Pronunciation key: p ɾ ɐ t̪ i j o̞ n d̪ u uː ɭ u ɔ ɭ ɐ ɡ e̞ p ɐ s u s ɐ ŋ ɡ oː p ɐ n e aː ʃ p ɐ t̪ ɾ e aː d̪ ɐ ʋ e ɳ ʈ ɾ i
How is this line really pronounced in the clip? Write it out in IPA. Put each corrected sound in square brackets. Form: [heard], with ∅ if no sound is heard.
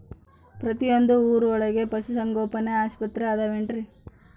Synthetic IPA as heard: p ɾ ɐ t̪ i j o̞ n d̪ u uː [ɾ] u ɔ ɭ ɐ ɡ e̞ p ɐ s u s ɐ ŋ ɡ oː p ɐ n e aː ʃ p ɐ t̪ ɾ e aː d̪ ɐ ʋ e ɳ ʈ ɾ i